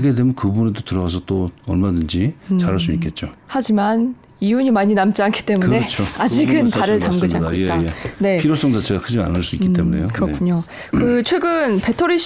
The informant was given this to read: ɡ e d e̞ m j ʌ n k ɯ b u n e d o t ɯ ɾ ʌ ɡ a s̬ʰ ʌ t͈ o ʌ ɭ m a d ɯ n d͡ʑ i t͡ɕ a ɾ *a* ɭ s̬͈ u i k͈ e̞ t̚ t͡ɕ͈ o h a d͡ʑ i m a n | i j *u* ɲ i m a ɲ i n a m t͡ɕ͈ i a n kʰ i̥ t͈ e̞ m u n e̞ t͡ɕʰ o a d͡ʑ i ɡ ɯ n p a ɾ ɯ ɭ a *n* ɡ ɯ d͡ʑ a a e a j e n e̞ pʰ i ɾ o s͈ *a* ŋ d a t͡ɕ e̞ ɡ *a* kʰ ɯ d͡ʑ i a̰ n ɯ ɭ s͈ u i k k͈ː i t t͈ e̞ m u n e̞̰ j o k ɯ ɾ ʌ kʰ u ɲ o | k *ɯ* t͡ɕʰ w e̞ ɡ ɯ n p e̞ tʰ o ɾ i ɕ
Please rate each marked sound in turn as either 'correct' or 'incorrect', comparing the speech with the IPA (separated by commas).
correct, correct, incorrect, incorrect, correct, correct